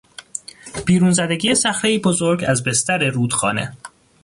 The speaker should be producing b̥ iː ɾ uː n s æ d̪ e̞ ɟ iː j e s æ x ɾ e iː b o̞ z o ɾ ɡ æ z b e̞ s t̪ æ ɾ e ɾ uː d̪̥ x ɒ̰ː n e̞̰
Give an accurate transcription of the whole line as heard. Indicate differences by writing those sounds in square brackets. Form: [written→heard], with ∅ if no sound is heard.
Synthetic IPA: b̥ iː ɾ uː n [s→z] æ d̪ e̞ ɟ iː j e s æ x ɾ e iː b o̞ z o ɾ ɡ æ z b e̞ s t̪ æ ɾ e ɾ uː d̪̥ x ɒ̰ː n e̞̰